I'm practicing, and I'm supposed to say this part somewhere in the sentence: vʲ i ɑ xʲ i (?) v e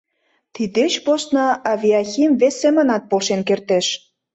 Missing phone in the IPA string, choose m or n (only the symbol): m